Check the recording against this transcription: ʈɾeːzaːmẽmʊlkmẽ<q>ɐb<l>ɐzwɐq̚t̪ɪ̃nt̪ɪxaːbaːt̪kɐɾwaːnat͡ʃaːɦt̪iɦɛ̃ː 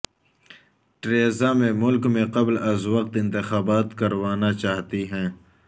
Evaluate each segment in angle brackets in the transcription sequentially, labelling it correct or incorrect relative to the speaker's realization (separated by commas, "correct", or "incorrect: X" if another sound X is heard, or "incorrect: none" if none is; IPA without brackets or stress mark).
correct, correct